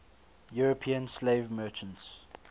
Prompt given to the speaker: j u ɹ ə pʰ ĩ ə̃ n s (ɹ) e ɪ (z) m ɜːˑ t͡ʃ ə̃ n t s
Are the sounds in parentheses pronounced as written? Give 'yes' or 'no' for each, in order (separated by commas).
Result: no, no